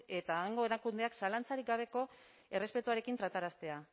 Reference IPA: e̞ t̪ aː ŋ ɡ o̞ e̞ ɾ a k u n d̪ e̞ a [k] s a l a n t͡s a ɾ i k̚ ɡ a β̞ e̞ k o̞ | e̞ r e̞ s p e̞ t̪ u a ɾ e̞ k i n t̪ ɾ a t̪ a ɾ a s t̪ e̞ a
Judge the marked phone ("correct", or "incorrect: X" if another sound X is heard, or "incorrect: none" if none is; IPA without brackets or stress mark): correct